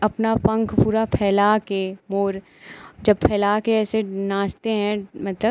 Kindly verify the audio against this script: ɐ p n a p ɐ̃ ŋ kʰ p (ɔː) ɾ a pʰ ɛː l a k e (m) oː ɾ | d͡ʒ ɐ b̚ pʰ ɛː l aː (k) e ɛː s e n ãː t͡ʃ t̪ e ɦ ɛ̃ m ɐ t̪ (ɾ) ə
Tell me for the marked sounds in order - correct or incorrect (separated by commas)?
incorrect, correct, correct, incorrect